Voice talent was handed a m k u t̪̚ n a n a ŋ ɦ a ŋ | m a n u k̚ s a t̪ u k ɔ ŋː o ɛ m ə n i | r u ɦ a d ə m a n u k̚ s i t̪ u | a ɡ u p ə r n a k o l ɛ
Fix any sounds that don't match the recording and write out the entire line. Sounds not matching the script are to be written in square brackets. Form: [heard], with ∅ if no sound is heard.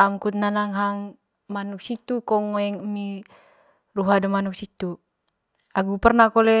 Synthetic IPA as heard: a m k u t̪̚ n a n a ŋ ɦ a ŋ | m a n u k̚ s [i] t̪ u k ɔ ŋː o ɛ [ŋ] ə [m] i | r u ɦ a d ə m a n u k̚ s i t̪ u | a ɡ u p ə r n a k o l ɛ

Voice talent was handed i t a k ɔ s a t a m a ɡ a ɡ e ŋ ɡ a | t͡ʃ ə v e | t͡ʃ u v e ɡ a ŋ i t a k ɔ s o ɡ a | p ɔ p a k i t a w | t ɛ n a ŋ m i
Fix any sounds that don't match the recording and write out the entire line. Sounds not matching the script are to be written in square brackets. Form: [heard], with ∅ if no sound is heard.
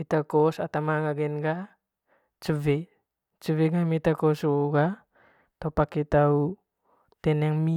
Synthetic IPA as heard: i t a k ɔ s a t a m a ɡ a ɡ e [n] ɡ a | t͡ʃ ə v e | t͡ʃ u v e ɡ a [m] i t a k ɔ s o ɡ a | [t] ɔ p a k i t a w | t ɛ n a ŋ m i

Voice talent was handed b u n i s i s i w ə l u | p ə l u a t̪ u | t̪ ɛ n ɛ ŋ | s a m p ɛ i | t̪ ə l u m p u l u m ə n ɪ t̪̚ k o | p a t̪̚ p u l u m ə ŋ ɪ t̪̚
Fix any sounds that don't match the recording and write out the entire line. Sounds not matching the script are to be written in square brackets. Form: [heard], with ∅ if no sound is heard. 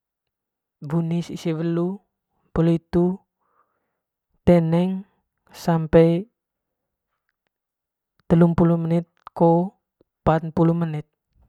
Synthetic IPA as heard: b u n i s i s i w ə l u | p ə l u [i] t̪ u | t̪ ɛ n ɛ ŋ | s a m p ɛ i | t̪ ə l u m p u l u m ə n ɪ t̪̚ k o | p a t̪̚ p u l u m ə [n] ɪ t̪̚

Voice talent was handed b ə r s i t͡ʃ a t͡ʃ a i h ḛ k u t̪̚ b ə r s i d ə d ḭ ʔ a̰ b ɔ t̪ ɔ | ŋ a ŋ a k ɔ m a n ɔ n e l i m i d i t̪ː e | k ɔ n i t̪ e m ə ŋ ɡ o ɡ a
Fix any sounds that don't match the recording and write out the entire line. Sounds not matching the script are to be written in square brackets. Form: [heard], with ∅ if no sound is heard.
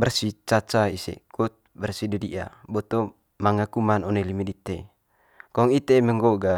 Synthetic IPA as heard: b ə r s i t͡ʃ a t͡ʃ a i [s] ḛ k u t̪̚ b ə r s i d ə d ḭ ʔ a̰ b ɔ t̪ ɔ | [m] a ŋ a k [u] m a n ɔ n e l i m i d i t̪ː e | k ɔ [ŋ] i t̪ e m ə ŋ ɡ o ɡ a

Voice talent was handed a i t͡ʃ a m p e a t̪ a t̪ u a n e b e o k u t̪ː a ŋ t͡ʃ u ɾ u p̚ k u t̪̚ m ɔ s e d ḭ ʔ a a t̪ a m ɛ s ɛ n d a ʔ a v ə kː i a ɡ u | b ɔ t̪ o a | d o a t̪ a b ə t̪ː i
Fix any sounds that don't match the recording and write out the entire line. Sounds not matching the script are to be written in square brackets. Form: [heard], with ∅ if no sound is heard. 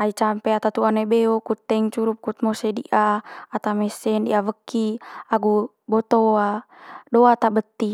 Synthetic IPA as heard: a i t͡ʃ a m p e a t̪ a t̪ u a n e b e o k u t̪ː [ɛ] ŋ t͡ʃ u ɾ u p̚ k u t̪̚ m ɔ s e d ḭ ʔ a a t̪ a m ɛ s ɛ n d [i] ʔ a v ə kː i a ɡ u | b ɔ t̪ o a | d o a t̪ a b ə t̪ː i

